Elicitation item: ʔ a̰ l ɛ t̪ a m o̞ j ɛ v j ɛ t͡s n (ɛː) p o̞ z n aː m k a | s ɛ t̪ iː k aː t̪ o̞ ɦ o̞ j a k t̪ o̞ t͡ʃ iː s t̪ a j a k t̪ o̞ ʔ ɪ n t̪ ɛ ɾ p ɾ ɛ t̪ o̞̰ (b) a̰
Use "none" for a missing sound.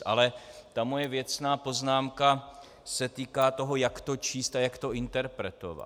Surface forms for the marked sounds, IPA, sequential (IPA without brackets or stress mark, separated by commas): aː, v